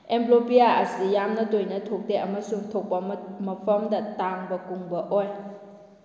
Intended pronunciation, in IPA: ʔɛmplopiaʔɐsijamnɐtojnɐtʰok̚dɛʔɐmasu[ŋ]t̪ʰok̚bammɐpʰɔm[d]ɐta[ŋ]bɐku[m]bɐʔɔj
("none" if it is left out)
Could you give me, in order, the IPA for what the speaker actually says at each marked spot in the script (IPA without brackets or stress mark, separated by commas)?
ŋ, d, ŋ, ŋ